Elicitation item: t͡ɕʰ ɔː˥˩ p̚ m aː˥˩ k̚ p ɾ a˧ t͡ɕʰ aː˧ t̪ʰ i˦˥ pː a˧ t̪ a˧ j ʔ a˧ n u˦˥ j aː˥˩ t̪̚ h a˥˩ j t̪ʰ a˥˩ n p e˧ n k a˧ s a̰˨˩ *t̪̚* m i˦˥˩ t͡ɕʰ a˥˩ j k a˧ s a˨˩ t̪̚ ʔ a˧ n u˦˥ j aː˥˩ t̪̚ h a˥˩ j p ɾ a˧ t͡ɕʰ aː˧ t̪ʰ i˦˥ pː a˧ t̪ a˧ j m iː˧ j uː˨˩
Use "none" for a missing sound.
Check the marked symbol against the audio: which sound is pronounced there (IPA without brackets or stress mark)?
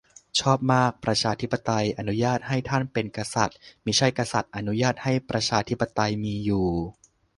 t̪̚